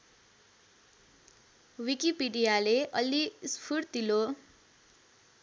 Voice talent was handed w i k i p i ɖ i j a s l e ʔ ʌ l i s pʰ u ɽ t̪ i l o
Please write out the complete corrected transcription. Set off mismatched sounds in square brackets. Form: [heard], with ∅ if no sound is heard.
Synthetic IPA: w i k i p i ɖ i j a [∅] l e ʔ ʌ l i s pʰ u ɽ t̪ i l o

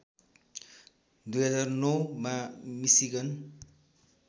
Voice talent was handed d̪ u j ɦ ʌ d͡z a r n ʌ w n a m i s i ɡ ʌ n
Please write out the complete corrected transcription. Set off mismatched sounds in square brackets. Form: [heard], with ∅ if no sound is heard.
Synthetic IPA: d̪ u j ɦ ʌ d͡z a r n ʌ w [m] a m i s i ɡ ʌ n

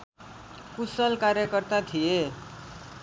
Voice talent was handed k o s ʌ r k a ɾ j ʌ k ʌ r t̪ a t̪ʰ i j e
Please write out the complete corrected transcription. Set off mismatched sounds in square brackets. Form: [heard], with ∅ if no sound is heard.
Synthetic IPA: k [u] s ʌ [l] k a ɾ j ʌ k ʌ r t̪ a t̪ʰ i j e

